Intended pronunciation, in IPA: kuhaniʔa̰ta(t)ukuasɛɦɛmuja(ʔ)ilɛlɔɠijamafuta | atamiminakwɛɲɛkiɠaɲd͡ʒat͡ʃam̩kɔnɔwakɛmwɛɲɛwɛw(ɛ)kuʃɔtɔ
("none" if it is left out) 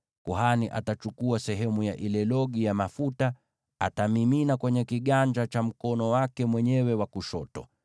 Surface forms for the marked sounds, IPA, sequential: t͡ʃ, ʔ, a

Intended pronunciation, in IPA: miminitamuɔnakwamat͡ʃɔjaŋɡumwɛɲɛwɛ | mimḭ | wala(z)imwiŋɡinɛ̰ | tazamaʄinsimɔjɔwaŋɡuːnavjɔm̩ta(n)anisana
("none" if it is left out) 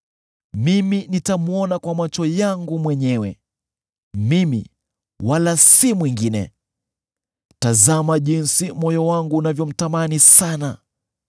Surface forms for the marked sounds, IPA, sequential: s, m

